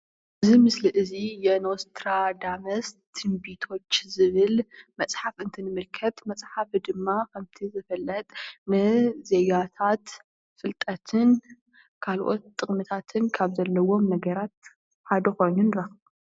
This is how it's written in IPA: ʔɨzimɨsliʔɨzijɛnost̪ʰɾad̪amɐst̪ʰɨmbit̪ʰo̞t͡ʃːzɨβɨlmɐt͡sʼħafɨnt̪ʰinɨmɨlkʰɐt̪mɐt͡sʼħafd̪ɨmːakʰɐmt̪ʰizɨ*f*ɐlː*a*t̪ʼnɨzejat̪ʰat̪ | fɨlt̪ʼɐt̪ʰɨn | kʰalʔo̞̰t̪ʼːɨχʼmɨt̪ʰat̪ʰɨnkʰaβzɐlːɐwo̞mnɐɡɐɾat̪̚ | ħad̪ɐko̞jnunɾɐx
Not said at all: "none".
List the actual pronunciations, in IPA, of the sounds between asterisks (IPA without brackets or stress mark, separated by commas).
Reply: f, ɐ